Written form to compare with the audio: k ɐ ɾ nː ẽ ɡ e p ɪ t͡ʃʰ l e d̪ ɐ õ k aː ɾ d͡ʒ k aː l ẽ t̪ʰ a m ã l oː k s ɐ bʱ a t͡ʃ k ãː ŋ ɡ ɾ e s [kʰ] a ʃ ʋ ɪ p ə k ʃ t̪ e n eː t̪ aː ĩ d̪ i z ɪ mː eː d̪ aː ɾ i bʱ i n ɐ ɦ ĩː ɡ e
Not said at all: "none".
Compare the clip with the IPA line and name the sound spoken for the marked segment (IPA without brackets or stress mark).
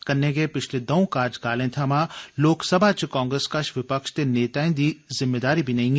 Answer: k